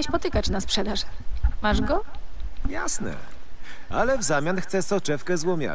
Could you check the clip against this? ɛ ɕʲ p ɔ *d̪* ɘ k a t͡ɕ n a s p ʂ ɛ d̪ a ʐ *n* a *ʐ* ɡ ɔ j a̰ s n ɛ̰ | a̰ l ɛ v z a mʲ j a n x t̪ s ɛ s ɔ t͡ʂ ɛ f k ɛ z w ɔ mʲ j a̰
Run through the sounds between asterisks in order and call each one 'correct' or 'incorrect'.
incorrect: t̪, incorrect: m, correct

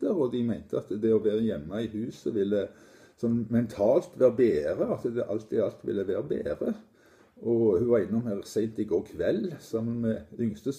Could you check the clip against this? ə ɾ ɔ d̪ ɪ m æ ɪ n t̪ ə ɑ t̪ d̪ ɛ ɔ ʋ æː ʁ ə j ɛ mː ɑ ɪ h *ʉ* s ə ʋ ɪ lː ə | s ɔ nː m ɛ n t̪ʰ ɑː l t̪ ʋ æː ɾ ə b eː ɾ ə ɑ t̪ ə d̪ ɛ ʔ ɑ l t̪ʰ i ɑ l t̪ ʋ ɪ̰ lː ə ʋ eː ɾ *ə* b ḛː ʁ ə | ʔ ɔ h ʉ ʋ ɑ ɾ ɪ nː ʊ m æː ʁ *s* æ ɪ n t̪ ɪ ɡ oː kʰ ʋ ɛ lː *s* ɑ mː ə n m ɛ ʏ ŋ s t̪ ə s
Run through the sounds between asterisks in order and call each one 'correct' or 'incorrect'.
incorrect: ʉː, correct, correct, correct

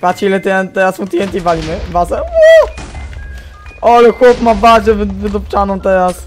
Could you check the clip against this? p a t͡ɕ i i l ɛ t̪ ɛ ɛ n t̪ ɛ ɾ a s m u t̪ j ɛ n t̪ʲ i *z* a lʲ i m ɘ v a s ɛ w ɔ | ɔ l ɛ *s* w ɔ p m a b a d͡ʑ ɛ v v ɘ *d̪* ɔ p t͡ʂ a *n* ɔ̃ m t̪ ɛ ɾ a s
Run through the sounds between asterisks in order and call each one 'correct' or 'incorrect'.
incorrect: v, incorrect: x, correct, correct

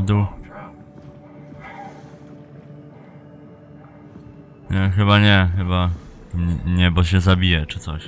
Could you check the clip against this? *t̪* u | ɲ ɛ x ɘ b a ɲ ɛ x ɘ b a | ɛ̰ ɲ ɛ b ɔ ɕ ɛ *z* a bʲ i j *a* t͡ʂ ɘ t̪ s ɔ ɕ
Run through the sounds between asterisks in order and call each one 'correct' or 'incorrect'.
incorrect: d̪, correct, incorrect: ɛ

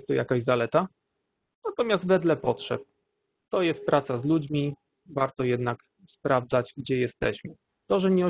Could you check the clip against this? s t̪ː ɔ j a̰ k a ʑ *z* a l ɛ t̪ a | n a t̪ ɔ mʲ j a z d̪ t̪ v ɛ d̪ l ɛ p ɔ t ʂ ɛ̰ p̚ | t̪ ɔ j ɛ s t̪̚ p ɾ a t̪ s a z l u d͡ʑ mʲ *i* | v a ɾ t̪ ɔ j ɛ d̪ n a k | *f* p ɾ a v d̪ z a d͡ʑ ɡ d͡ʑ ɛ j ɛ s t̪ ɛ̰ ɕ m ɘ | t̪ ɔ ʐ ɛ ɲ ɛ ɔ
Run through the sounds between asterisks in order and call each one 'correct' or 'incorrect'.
correct, correct, incorrect: s

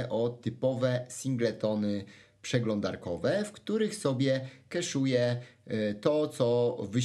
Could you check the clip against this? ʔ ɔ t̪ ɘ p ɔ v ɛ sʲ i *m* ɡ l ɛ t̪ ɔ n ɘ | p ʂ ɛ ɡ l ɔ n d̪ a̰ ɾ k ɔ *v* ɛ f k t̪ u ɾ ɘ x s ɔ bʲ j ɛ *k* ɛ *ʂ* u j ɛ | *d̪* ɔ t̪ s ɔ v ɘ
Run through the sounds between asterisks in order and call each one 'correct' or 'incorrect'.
incorrect: ŋ, correct, correct, correct, incorrect: t̪

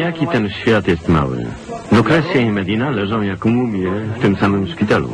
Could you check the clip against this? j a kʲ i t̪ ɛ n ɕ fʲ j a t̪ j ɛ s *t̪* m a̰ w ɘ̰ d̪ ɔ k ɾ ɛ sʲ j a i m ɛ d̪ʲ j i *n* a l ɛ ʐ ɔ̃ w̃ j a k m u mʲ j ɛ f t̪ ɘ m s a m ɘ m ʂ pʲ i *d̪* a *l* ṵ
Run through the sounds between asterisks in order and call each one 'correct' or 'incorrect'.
correct, correct, incorrect: t̪, correct

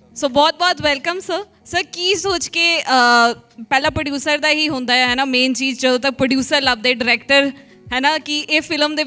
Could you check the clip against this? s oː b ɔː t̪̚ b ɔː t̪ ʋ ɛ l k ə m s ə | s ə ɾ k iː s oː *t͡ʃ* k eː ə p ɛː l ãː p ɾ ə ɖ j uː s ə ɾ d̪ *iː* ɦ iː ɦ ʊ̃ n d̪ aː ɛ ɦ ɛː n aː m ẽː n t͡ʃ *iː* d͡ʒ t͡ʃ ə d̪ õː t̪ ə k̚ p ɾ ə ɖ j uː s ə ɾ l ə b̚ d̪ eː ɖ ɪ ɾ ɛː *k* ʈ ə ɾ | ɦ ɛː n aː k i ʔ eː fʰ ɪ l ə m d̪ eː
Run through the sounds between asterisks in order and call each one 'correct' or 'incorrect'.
correct, incorrect: aː, correct, correct

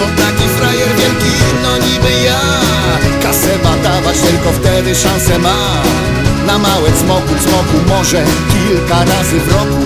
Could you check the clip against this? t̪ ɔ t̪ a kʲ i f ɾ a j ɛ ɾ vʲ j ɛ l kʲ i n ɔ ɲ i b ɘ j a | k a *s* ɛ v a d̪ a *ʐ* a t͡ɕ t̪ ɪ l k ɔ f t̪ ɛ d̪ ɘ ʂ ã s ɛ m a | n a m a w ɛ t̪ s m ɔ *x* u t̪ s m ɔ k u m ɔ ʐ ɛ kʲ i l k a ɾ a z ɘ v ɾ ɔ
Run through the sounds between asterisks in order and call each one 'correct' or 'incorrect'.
correct, incorrect: v, incorrect: k

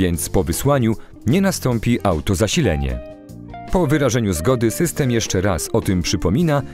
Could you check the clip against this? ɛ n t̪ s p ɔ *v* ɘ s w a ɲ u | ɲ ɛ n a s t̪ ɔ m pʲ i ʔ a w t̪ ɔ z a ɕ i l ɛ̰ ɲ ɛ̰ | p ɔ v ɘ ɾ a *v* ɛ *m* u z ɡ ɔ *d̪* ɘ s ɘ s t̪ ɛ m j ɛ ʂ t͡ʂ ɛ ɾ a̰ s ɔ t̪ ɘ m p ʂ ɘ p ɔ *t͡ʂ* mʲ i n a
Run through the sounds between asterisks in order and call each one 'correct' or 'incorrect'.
correct, incorrect: ʐ, incorrect: ɲ, correct, incorrect: none

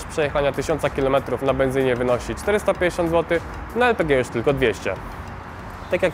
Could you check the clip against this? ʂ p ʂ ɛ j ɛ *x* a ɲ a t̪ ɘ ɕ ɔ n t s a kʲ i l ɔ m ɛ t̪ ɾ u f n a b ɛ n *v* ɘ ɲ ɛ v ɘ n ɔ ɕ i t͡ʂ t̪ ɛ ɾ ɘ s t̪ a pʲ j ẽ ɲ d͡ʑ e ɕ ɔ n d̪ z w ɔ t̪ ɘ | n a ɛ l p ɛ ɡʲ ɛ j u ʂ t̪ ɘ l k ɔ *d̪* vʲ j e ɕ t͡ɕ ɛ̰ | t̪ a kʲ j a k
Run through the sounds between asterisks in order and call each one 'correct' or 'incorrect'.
correct, incorrect: z, correct

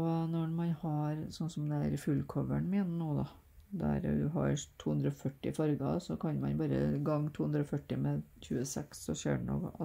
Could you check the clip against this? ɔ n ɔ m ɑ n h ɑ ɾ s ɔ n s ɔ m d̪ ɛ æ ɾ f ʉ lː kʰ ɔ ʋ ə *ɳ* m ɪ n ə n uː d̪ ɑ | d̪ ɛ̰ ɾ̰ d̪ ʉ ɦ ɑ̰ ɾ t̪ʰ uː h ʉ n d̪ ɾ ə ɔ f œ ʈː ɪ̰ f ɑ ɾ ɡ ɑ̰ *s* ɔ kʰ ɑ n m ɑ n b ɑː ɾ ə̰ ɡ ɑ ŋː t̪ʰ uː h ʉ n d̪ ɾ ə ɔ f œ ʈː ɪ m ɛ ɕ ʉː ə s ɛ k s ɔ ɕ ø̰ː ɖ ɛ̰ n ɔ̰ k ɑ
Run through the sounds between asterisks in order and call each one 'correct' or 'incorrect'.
correct, correct

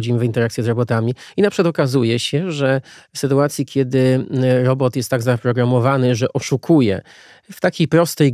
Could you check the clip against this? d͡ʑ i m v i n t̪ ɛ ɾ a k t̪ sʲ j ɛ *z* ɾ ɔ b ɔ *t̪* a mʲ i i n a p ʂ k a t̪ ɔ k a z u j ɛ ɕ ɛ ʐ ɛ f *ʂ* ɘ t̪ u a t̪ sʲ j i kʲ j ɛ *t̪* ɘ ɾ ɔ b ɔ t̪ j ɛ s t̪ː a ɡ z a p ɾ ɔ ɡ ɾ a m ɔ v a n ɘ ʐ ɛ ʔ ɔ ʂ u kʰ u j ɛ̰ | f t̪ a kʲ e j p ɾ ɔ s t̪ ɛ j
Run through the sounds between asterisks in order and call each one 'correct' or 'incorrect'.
correct, correct, incorrect: s, incorrect: d̪

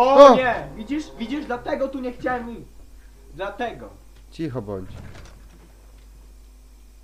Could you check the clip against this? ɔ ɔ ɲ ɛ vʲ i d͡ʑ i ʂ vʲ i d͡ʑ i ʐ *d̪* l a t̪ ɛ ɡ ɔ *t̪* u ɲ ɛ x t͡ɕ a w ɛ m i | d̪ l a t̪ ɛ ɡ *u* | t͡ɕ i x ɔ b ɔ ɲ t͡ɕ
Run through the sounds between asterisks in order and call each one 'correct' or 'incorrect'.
correct, correct, incorrect: ɔ

